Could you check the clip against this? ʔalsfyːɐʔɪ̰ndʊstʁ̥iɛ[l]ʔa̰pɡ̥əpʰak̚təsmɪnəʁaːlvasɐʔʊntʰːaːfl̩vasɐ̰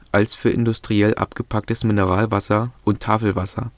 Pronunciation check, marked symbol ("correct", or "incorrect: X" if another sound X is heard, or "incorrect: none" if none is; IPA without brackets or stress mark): correct